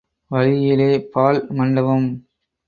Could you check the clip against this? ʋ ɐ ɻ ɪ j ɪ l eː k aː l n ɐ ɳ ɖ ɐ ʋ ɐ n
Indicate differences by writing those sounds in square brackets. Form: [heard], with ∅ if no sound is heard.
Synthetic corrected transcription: ʋ ɐ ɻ ɪ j ɪ l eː [p] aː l [m] ɐ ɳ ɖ ɐ ʋ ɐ [m]